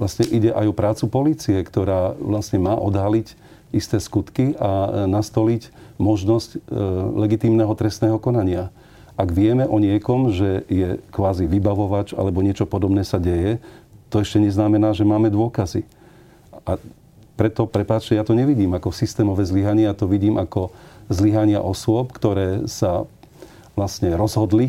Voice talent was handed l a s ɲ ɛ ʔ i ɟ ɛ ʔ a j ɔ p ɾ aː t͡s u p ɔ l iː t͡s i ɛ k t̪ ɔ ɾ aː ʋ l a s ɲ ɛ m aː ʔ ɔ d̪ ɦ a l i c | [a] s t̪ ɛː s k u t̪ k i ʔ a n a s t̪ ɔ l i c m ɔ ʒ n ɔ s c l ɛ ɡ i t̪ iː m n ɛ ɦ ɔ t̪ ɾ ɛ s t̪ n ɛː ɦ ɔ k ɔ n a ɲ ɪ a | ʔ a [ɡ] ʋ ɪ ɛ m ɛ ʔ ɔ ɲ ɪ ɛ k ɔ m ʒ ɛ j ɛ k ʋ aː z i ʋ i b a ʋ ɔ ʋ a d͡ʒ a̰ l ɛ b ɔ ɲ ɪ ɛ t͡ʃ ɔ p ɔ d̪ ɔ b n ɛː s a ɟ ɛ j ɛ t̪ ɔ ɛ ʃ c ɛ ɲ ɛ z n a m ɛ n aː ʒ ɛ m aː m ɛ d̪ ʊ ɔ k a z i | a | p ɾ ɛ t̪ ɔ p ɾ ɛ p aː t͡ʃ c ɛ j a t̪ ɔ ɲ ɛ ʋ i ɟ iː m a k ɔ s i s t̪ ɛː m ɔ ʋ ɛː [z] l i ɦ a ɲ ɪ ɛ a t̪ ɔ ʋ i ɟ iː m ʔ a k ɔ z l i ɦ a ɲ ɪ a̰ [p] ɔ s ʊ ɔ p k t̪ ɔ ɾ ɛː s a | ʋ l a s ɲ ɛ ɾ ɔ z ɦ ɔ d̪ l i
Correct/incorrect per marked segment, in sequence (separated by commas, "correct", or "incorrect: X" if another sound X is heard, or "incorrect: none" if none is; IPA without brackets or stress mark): incorrect: i, correct, correct, incorrect: ʔ